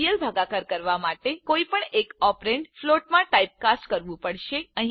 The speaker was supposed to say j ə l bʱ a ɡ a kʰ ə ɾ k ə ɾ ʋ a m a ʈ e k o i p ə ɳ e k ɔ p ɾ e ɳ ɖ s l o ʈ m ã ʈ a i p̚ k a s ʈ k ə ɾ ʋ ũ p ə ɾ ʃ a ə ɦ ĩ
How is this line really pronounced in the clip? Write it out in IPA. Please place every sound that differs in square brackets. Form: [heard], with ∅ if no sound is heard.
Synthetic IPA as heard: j ə l bʱ a ɡ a [k] ə ɾ k ə ɾ ʋ a m a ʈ e k o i p ə ɳ e k ɔ p ɾ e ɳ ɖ [f] l o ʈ m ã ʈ a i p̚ k a s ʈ k ə ɾ ʋ ũ p ə [ɽ] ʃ [e] ə ɦ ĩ